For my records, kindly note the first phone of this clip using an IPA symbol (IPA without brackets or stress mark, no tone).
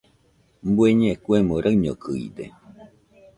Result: m